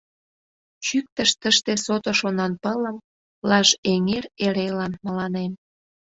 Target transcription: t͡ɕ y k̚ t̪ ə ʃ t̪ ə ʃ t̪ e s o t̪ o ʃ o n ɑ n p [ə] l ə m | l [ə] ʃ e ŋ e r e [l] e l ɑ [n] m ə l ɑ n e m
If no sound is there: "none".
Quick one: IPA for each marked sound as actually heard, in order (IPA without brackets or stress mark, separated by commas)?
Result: ə, ɑ, ɾ, n